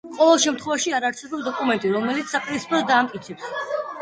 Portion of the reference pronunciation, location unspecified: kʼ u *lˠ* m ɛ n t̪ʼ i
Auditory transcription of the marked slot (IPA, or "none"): none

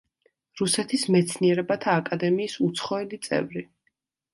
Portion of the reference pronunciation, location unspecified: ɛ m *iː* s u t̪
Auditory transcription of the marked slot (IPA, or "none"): iː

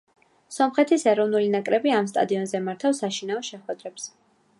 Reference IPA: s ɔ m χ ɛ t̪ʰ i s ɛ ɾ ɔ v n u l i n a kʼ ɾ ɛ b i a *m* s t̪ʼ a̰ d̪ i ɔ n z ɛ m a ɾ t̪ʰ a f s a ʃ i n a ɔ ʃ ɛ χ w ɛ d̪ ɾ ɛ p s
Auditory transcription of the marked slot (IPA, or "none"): m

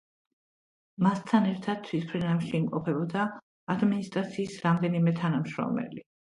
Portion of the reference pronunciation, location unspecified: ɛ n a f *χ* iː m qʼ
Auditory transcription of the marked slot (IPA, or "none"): ʃ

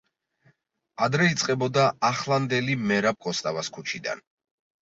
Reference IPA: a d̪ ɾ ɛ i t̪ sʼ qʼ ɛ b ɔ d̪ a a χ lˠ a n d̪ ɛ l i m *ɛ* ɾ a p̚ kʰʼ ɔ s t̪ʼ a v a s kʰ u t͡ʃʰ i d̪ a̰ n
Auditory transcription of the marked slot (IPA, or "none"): ɛ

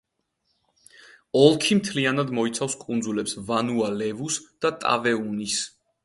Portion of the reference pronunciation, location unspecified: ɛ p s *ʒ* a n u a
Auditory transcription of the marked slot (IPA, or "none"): v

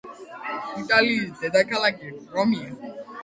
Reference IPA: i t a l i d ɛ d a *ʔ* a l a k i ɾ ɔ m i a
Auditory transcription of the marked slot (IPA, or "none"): k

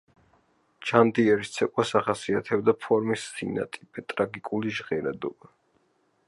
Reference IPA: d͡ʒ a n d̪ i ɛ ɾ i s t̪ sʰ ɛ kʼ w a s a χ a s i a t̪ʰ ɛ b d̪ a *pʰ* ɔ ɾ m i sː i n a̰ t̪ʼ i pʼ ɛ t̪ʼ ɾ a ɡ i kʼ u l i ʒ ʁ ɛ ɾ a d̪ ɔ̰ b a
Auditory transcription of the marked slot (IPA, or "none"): pʰ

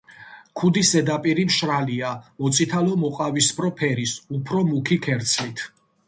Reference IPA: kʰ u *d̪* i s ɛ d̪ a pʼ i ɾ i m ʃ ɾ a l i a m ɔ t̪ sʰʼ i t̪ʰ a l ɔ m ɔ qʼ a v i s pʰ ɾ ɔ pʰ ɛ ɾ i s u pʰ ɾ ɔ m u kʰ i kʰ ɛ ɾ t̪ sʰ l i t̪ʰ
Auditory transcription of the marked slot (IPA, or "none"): d̪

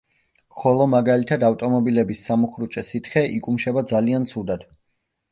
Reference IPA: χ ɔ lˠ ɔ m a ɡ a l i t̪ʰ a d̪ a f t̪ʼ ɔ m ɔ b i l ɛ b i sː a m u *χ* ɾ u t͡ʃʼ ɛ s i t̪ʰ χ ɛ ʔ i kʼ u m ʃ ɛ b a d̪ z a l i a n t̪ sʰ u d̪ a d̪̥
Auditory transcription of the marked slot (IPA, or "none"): χ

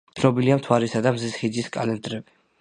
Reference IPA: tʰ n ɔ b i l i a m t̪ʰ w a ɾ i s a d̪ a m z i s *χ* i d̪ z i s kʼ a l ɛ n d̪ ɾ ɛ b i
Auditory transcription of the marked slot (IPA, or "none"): χ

